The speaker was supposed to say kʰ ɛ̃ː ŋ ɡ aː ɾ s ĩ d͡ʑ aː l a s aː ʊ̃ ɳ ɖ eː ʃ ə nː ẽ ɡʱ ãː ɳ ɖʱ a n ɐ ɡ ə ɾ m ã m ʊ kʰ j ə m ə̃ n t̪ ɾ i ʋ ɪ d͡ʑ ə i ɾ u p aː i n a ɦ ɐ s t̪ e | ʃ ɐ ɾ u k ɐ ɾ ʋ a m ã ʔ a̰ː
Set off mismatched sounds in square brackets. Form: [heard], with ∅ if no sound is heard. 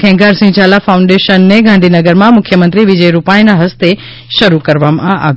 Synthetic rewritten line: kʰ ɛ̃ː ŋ ɡ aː ɾ s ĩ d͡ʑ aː l a [f] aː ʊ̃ ɳ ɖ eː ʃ ə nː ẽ ɡʱ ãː ɳ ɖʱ [i] n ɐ ɡ ə ɾ m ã m ʊ kʰ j ə m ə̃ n t̪ ɾ i ʋ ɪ d͡ʑ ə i ɾ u p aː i n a ɦ ɐ s t̪ e | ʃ ɐ ɾ u k ɐ ɾ ʋ a m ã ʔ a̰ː